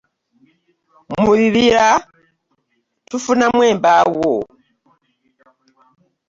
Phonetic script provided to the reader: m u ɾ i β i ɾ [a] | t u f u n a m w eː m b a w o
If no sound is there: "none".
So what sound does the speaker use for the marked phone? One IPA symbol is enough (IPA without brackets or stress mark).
a